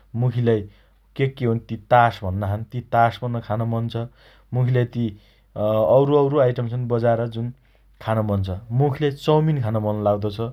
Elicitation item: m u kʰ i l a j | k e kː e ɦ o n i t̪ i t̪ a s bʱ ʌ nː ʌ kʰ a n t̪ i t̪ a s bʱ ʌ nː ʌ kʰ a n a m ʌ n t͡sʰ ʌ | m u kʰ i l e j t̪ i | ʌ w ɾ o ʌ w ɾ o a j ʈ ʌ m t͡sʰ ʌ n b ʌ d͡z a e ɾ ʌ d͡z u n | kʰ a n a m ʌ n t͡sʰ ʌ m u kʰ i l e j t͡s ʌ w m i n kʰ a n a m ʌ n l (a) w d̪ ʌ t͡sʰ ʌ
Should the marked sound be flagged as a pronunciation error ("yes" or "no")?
no